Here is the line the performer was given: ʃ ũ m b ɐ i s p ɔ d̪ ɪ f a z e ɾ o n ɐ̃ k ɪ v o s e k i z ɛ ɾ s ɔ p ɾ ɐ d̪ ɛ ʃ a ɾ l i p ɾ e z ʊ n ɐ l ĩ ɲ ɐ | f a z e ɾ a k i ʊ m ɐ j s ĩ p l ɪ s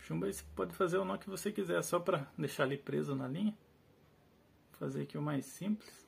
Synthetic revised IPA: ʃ ũ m b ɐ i s p ɔ d̪ ɪ f a z e ɾ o n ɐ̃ k ɪ v o s e k i z ɛ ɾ s ɔ p ɾ ɐ d̪ e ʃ a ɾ l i p ɾ e z ʊ n ɐ l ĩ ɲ ɐ | f a z e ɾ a k i ʊ m a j s ĩ p l ɪ s

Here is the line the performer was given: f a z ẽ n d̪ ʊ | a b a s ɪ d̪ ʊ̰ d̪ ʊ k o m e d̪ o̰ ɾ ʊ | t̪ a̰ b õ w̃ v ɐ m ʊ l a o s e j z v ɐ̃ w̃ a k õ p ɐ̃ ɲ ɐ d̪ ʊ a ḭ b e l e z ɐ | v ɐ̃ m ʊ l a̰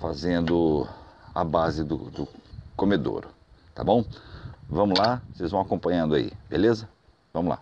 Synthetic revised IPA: f a z ẽ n d̪ ʊ | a b a z ɪ d̪ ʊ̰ d̪ ʊ k o m e d̪ o̰ ɾ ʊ | t̪ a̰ b õ w̃ v ɐ̃ m ʊ l a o s e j z v ɐ̃ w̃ a k õ p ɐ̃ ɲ ɐ̃ d̪ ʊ a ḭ b e l e z ɐ | v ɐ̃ m ʊ l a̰

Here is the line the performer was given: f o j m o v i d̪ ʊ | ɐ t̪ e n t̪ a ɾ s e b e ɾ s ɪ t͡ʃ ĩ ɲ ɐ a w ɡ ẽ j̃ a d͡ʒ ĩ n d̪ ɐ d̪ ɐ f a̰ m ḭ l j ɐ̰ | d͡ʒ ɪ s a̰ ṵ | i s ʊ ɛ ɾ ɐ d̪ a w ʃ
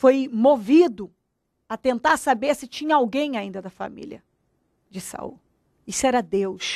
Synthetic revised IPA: f o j m o v i d̪ ʊ | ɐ t̪ ẽ n t̪ a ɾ s a b e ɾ s ɪ t͡ʃ ĩ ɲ ɐ a w ɡ ẽ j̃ a ĩ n d̪ ɐ d̪ ɐ f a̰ m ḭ l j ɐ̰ | d͡ʒ ɪ s a̰ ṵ | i s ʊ ɛ ɾ ɐ d̪ e w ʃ

